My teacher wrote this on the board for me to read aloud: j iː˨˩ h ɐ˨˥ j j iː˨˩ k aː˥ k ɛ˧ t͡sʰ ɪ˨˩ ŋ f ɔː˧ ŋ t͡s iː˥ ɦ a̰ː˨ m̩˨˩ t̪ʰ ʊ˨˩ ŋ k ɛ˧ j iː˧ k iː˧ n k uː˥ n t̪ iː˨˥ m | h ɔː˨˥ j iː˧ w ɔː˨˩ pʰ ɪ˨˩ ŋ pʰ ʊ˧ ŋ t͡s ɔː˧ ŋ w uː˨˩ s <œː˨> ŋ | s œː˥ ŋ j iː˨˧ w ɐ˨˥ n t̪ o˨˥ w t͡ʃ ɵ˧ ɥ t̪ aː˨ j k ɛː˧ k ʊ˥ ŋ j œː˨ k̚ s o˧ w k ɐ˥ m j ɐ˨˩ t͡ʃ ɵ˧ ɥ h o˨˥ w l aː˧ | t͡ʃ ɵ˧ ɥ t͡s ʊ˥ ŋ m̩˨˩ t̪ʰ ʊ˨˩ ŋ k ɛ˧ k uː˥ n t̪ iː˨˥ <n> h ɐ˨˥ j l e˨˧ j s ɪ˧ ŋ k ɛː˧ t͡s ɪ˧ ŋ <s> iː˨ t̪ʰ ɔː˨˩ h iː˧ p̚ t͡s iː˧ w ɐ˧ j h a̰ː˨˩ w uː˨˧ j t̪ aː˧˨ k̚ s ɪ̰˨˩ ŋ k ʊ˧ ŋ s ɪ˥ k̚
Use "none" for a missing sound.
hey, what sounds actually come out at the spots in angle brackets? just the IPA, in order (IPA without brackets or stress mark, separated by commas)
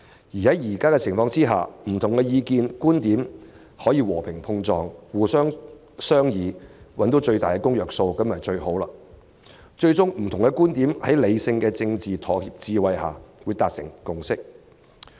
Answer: œː˥, m, t͡s